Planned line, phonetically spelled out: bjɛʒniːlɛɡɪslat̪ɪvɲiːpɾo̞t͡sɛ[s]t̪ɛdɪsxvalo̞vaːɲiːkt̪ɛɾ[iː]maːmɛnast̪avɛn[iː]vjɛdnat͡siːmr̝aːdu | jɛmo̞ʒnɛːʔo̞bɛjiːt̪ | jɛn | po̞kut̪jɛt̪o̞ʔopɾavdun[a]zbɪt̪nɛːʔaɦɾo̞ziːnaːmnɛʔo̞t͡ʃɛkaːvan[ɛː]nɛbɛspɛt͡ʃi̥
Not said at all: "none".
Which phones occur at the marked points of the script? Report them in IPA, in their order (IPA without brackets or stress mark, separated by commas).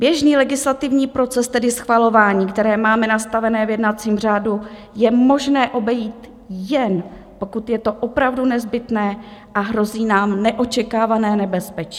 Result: s, ɛː, ɛː, ɛ, ɛː